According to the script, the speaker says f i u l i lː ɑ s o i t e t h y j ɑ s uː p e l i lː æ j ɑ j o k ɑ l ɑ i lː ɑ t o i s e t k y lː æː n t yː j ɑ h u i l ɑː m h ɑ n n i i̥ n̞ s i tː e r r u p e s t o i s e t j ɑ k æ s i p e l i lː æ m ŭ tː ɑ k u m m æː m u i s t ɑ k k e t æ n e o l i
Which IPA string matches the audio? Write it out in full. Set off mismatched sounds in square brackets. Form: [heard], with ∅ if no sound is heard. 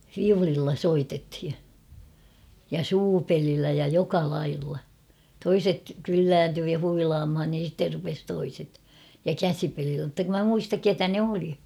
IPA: f i u l i lː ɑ s o i t e t h [i] j ɑ s uː p e l i lː æ j ɑ j o k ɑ l ɑ i lː ɑ t o i s e t k y lː æː n t yː j ɑ h u i l ɑː m h ɑ n n i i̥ n̞ s i tː e r r u p e s t o i s e t j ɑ k æ s i p e l i lː æ m ŭ tː ɑ k u m m [æ] m u i s t ɑ k k e t æ n e o l i